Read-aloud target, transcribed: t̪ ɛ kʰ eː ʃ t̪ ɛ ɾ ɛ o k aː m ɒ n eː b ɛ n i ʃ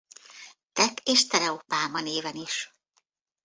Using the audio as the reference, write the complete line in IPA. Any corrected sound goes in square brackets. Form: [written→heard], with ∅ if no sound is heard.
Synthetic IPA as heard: t̪ ɛ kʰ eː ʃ t̪ ɛ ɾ ɛ o [k→p] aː m ɒ n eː [b→v] ɛ n i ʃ